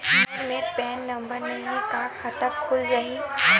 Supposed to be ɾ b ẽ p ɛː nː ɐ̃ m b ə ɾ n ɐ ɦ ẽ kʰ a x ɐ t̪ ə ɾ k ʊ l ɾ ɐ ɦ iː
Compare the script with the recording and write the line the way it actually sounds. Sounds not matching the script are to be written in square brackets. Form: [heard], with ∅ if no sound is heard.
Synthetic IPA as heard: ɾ [m] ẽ p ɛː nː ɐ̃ m b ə ɾ n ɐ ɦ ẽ [k] a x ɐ t̪ ə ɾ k ʊ l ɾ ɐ ɦ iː